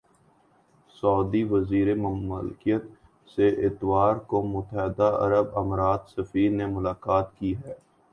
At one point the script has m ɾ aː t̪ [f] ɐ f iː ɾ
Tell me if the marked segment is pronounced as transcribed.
no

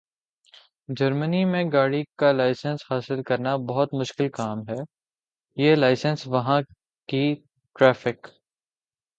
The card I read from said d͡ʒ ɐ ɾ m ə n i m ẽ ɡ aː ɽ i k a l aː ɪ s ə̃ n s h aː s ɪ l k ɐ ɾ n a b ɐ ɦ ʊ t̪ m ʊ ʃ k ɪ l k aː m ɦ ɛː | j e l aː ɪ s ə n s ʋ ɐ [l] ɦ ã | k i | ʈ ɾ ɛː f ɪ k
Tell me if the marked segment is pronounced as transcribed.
no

